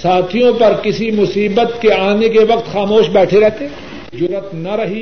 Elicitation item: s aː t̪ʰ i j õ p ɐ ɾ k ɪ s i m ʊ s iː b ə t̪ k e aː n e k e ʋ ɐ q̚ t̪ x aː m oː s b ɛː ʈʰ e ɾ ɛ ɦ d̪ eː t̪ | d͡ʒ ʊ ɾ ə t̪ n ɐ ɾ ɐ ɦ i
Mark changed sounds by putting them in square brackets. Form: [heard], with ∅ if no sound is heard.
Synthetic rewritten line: s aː t̪ʰ i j õ p ɐ ɾ k ɪ s i m ʊ s iː b ə t̪ k e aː n e k e ʋ ɐ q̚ t̪ x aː m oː [ʃ] b ɛː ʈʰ e ɾ ɛ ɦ [t̪] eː [∅] | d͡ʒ ʊ ɾ ə t̪ n ɐ ɾ ɐ ɦ i